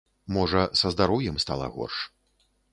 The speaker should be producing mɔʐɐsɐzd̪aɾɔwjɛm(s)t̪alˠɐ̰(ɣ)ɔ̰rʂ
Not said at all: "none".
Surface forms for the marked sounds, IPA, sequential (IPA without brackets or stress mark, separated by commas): s, ɣ